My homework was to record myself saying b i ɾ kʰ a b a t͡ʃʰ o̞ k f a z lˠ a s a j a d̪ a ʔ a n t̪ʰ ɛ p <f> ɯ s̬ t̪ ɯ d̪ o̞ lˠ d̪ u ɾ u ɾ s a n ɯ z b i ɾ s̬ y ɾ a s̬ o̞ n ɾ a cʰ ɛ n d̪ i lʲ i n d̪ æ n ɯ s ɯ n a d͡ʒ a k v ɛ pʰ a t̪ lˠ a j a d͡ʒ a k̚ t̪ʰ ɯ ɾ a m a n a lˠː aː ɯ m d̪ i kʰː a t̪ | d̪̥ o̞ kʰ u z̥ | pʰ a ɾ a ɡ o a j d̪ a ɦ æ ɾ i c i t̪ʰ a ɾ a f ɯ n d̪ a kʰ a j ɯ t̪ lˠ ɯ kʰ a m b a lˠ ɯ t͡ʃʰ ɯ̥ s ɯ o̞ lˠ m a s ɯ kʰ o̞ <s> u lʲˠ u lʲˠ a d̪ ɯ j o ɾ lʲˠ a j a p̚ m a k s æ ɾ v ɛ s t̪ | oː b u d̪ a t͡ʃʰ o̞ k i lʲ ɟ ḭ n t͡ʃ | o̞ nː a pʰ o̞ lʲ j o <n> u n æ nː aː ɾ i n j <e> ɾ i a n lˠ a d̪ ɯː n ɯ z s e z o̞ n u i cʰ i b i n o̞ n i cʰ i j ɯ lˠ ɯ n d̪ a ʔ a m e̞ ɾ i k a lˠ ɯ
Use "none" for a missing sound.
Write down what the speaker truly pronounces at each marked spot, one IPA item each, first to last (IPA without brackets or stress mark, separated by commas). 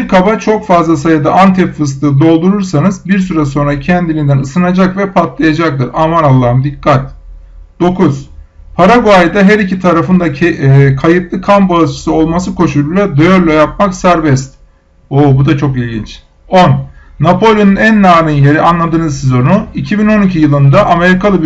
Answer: f, ʃ, n, e